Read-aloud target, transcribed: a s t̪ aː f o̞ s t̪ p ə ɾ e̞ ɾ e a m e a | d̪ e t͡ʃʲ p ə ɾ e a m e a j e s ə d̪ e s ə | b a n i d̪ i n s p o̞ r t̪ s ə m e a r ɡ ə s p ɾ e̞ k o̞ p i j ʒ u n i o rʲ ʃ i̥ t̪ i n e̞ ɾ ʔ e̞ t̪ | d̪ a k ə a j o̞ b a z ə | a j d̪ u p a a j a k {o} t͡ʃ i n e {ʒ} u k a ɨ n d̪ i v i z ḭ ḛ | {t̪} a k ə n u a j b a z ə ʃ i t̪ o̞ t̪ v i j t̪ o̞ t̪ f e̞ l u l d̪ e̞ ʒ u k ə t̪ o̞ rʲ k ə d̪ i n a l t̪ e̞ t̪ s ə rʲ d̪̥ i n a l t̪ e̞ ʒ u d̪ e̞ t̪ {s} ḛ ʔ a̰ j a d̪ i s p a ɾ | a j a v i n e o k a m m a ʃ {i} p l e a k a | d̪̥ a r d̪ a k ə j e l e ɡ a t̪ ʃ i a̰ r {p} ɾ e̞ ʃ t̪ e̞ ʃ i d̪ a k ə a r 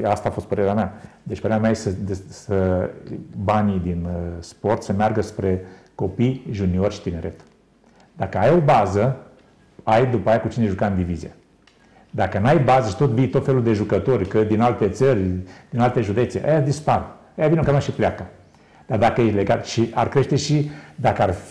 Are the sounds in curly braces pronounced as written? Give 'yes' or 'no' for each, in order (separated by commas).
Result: no, yes, no, yes, yes, no